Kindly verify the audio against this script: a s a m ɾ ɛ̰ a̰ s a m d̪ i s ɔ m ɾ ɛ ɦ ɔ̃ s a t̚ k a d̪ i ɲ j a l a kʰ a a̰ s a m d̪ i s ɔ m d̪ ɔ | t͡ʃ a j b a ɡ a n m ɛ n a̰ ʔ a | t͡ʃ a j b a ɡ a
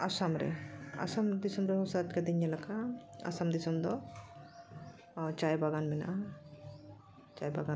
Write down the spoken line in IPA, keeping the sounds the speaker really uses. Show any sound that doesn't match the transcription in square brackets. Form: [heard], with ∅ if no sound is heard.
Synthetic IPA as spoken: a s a m ɾ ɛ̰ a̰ s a m d̪ i s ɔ m ɾ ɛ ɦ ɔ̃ s a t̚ k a d̪ i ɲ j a l a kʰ a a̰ s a m d̪ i s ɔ m d̪ ɔ | t͡ʃ a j b a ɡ a n m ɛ n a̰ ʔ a | t͡ʃ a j b a ɡ a